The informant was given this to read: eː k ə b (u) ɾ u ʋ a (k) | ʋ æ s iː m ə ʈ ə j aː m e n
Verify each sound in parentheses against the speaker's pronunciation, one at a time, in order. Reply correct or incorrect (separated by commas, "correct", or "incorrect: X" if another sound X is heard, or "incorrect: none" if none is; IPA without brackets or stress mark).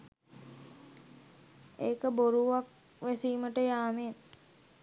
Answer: incorrect: o, correct